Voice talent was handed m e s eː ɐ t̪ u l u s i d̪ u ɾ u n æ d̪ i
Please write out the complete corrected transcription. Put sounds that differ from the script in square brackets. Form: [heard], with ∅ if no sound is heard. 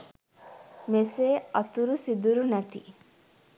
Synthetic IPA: m e s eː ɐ t̪ u [ɾ] u s i d̪ u ɾ u n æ [t̪] i

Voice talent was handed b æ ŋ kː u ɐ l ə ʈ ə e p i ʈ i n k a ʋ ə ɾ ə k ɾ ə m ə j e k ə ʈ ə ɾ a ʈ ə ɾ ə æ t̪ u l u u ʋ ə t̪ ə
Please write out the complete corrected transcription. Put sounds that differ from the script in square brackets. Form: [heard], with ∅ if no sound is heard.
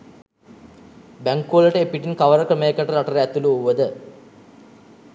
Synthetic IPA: b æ ŋ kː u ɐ l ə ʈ ə e p i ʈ i n k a ʋ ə ɾ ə k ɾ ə m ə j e k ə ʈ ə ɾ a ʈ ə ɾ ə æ t̪ u l u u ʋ ə [d̪] ə

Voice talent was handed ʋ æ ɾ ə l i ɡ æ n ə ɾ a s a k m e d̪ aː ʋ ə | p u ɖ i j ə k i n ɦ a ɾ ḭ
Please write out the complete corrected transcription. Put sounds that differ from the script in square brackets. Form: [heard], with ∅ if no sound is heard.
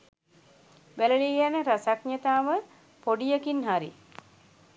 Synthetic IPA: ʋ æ [l] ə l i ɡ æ n ə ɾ a s a k [ɲ] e [t̪] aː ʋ ə | p [o] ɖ i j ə k i n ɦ a ɾ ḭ

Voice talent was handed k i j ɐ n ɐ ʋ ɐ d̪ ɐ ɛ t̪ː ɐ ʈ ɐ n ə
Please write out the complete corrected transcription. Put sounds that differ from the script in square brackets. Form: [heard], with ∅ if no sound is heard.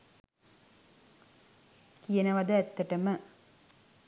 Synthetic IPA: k i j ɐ n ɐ ʋ ɐ d̪ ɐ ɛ t̪ː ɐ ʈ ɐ [m] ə

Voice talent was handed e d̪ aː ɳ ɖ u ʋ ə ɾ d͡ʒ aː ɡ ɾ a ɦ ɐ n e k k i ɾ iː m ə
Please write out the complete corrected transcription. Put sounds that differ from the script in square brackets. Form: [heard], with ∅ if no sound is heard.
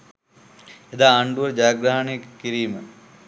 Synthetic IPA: e d̪ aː ɳ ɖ u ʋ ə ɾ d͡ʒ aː ɡ ɾ a ɦ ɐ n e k k i ɾ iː m ə

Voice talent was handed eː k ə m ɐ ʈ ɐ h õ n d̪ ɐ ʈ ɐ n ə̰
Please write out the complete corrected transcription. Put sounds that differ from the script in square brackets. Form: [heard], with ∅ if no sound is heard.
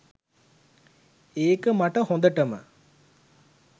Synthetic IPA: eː k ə m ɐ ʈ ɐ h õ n d̪ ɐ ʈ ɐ [m] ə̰

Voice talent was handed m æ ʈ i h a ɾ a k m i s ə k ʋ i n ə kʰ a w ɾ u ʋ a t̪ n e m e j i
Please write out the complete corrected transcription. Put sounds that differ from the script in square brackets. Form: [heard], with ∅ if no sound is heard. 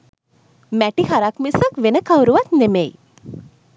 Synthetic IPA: m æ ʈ i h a ɾ a k m i s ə k ʋ [e] n ə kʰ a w ɾ u ʋ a t̪ n e m e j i

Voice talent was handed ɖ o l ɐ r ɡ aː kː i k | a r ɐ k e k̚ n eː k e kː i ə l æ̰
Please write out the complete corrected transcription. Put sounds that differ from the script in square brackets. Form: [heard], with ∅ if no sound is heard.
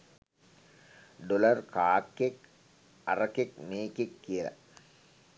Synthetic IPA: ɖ o l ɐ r [k] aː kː [e] k | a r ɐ k e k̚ [m] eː k e kː i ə l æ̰

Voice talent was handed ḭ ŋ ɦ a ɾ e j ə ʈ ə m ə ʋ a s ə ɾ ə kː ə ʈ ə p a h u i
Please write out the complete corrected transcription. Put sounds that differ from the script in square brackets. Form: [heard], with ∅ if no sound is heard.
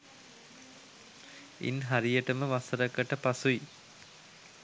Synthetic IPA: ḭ [n] ɦ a ɾ [i] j ə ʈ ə m ə ʋ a s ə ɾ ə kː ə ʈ ə p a [s] u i

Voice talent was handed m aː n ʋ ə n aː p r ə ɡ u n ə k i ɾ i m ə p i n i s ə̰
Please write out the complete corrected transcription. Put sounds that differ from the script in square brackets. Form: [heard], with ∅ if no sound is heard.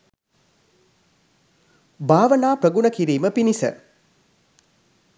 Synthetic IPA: [b] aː [∅] ʋ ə n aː p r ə ɡ u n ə k i ɾ [iː] m ə p i n i s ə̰

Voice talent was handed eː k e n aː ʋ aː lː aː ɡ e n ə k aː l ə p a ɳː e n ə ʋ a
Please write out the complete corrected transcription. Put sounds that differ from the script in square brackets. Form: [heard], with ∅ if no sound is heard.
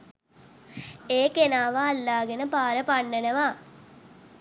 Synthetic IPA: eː k e n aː ʋ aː lː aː ɡ e n ə [p] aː [ɾ] ə p a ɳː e n ə ʋ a

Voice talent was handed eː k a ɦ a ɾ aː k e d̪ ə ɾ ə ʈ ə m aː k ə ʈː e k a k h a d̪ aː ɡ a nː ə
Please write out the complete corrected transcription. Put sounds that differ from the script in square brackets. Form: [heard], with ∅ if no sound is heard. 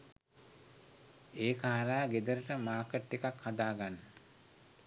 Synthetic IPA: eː k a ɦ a ɾ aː [ɡ] e d̪ ə ɾ ə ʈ ə m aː k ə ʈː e k a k h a d̪ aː ɡ a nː ə

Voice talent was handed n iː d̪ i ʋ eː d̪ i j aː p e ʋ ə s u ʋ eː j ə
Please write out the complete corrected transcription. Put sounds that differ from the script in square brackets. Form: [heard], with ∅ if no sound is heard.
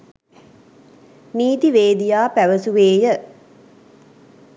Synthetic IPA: n iː [t̪] i ʋ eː d̪ i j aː p [æ] ʋ ə s u ʋ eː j ə

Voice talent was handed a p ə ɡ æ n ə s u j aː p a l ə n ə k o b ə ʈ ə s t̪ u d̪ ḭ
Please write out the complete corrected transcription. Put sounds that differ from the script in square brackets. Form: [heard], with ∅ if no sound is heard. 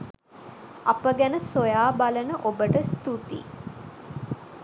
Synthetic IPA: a p ə ɡ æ n ə s [o] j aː [b] a l ə n ə [ʔ] o b ə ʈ ə s t̪ u [t̪] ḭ

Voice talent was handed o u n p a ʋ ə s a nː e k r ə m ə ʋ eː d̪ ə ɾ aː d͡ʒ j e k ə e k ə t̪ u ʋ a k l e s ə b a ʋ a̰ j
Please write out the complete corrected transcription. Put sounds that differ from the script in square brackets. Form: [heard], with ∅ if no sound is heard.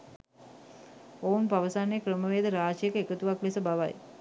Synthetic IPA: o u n p a ʋ ə s a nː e k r ə m ə ʋ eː d̪ ə ɾ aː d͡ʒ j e k ə e k ə t̪ u ʋ a k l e s ə b a ʋ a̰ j

